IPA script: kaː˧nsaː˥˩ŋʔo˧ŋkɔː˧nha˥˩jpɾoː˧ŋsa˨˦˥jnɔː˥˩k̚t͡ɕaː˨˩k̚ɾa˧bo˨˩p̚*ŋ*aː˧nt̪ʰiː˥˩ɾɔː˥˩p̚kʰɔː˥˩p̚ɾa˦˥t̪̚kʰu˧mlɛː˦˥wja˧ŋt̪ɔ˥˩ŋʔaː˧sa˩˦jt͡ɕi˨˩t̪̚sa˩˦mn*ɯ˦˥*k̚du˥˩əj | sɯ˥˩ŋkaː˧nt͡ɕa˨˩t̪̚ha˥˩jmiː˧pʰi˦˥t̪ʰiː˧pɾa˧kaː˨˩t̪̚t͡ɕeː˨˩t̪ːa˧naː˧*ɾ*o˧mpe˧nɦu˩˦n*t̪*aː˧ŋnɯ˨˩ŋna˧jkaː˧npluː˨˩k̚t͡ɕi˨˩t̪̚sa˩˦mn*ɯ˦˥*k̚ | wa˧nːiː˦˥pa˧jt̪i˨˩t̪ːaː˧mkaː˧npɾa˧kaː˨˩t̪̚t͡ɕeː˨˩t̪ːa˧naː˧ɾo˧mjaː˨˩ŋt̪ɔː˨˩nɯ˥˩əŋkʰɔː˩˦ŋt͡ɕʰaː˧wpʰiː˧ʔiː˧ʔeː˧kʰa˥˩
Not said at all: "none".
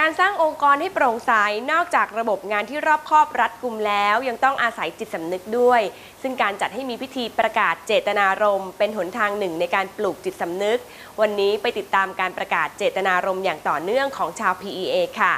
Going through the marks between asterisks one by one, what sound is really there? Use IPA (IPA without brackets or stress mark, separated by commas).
ŋ, ɯ˦˥, ɾ, t̪ʰ, ɯ˦˥